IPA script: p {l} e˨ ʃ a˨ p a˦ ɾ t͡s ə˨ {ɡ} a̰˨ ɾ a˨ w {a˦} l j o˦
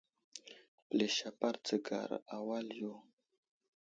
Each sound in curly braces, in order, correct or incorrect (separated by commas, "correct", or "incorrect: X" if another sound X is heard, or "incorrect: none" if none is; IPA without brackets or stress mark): correct, correct, correct